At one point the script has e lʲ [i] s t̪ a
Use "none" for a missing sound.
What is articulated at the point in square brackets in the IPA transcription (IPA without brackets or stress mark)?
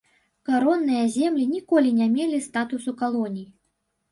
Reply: i